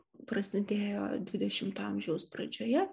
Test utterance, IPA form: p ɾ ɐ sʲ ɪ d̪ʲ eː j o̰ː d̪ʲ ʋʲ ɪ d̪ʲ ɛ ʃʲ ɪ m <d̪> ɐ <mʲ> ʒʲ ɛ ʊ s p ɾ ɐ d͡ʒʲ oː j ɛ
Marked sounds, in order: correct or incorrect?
incorrect: t̪, correct

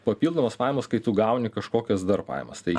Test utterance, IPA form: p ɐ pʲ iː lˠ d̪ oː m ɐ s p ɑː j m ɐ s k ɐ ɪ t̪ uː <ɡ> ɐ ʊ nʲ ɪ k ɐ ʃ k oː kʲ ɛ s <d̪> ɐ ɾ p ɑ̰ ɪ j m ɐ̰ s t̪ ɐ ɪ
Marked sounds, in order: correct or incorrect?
correct, correct

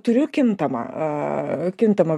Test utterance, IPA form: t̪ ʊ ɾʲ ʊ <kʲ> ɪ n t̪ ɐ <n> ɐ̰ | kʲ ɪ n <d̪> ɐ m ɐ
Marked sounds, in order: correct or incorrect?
correct, incorrect: m, incorrect: t̪

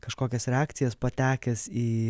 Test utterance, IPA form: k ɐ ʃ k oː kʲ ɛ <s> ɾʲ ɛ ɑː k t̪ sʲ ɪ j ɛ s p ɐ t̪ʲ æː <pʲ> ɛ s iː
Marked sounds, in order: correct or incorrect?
correct, incorrect: kʲ

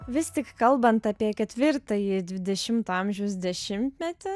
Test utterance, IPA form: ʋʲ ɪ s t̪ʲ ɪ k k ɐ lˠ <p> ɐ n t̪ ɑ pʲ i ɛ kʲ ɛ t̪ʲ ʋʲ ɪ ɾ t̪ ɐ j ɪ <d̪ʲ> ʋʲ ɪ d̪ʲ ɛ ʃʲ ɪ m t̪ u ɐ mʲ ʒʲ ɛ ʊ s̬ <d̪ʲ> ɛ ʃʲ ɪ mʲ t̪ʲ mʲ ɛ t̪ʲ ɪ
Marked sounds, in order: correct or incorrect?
incorrect: b, correct, correct

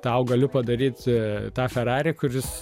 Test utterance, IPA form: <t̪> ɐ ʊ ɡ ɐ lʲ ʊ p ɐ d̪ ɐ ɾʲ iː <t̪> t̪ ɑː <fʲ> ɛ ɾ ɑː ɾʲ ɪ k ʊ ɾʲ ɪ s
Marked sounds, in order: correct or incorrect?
correct, correct, correct

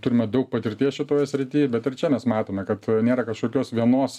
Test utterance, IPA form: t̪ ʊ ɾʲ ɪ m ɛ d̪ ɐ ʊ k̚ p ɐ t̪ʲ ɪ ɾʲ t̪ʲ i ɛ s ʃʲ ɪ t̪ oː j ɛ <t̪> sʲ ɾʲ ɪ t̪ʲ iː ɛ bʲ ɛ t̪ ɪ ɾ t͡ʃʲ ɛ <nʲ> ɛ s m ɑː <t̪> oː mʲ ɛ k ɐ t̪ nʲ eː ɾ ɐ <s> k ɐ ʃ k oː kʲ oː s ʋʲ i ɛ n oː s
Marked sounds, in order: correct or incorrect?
incorrect: none, incorrect: mʲ, correct, incorrect: none

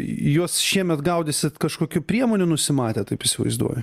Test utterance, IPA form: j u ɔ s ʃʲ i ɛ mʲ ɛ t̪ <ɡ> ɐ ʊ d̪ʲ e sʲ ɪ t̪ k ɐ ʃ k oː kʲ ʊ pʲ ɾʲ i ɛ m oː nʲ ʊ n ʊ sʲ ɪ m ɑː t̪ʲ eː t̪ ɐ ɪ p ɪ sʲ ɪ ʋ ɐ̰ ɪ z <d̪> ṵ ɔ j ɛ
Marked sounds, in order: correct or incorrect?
correct, correct

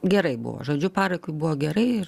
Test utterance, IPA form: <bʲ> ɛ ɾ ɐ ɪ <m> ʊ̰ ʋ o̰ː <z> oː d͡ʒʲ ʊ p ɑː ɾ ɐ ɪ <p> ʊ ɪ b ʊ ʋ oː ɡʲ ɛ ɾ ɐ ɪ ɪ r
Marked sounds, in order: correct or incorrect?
incorrect: ɡʲ, incorrect: b, incorrect: ʒ, incorrect: k

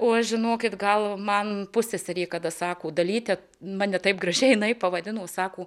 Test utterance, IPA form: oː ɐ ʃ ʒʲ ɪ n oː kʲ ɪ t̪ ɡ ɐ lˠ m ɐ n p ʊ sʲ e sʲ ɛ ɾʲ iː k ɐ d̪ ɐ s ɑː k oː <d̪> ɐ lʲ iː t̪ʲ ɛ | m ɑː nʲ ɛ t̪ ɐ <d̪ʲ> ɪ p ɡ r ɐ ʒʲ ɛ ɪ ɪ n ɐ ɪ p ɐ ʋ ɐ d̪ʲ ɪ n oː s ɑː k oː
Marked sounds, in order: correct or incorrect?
correct, incorrect: none

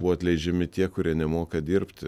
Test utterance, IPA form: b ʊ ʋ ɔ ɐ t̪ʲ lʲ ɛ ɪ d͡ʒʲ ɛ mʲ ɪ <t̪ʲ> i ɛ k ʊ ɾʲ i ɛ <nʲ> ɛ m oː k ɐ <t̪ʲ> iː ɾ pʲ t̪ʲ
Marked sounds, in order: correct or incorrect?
correct, correct, incorrect: d̪ʲ

